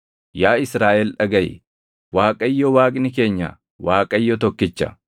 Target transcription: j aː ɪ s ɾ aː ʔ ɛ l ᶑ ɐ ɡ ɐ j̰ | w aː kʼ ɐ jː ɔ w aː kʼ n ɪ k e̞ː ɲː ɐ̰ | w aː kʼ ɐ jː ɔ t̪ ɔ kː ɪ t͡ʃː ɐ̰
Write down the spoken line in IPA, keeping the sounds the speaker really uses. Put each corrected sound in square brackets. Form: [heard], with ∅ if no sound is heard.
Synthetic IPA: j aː ɪ s ɾ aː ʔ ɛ l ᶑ ɐ ɡ ɐ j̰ | w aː kʼ ɐ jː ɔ w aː kʼ n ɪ k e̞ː ɲː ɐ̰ | w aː kʼ ɐ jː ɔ t̪ ɔ kː ɪ t͡ʃː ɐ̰